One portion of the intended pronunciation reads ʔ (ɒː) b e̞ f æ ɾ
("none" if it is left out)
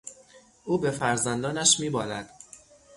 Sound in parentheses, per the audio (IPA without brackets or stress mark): uː